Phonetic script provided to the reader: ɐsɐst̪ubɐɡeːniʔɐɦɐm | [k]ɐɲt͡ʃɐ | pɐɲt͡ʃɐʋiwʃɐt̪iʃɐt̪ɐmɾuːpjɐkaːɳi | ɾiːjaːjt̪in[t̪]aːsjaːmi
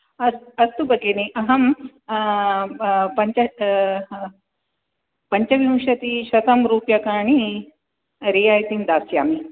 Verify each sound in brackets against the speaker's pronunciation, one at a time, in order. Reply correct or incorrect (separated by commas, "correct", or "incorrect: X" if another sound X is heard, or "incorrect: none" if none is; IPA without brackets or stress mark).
incorrect: p, incorrect: d̪